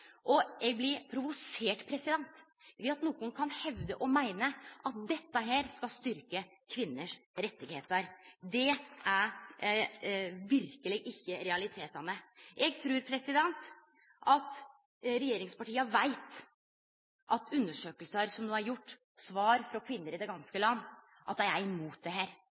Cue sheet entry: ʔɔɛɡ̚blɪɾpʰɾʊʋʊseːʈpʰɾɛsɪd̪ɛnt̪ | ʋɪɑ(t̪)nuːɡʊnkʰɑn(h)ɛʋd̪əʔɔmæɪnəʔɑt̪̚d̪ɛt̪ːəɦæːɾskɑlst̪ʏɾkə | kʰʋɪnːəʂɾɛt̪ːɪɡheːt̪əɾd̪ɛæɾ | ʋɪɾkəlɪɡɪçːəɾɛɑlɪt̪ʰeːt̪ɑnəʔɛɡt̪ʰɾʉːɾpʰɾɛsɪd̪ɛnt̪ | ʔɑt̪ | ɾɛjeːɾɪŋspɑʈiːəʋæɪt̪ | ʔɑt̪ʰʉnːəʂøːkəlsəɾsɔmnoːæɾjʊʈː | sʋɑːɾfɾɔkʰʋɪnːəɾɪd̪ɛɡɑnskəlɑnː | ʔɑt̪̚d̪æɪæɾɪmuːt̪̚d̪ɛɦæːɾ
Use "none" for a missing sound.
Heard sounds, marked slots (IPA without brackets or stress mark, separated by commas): t̪, h